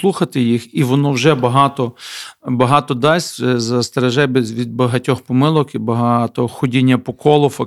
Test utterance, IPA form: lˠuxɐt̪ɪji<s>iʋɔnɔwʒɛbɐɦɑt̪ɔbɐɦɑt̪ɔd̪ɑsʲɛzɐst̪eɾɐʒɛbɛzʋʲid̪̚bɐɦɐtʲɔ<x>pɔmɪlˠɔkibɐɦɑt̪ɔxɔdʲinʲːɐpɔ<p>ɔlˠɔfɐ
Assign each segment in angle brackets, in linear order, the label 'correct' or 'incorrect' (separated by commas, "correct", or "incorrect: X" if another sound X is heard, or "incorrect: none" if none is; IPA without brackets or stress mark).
incorrect: x, correct, incorrect: k